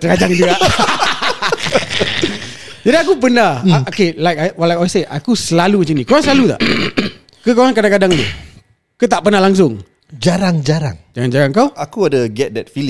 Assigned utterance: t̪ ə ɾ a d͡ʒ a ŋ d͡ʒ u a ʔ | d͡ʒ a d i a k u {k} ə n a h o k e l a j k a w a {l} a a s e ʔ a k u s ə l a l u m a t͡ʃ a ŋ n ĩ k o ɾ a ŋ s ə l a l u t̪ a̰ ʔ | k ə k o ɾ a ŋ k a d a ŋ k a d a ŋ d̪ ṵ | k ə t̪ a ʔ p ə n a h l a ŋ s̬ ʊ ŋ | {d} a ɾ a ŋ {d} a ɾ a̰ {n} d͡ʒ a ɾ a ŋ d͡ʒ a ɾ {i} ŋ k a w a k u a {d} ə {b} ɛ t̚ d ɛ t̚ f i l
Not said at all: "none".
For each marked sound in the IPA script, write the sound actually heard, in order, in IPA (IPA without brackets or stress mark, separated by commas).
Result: p, l, d͡ʒ, d͡ʒ, ŋ, a, d, ɡ